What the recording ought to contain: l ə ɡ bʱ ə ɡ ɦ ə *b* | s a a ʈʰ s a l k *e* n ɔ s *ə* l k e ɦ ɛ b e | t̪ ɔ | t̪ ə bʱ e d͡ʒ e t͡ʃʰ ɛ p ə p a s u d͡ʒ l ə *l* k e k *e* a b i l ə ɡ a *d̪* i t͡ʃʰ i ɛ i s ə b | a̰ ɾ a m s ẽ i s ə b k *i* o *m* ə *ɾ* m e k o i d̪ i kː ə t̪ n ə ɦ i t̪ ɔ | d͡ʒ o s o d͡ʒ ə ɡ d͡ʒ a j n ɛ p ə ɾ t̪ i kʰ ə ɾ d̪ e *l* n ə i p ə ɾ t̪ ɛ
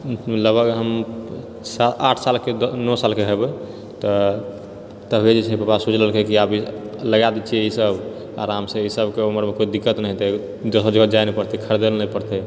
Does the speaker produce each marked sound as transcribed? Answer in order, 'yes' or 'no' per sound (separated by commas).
no, yes, no, yes, no, yes, no, yes, yes, yes